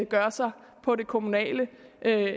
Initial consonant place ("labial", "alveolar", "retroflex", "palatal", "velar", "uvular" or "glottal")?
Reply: velar